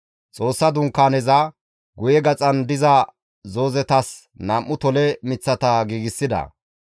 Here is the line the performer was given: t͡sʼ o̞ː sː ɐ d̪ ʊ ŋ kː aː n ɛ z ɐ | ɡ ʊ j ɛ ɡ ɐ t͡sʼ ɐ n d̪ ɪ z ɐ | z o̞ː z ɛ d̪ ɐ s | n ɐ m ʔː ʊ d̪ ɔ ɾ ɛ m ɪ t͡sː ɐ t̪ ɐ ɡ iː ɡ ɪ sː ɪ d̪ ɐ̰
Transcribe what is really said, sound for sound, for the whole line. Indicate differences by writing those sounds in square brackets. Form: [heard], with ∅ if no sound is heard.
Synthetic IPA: t͡sʼ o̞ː sː ɐ d̪ ʊ ŋ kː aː n ɛ z ɐ | ɡ ʊ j ɛ ɡ ɐ t͡sʼ ɐ n d̪ ɪ z ɐ | z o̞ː z ɛ [t̪] ɐ s | n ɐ m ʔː ʊ [t̪] ɔ [l] ɛ m ɪ t͡sː ɐ t̪ ɐ ɡ iː ɡ ɪ sː ɪ d̪ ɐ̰